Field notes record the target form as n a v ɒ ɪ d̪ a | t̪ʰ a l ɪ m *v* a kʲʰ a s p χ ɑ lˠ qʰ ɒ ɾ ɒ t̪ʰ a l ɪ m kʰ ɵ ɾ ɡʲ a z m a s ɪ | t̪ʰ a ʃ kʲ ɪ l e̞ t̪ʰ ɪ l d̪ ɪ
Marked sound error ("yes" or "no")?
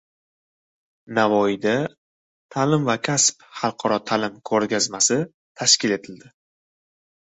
no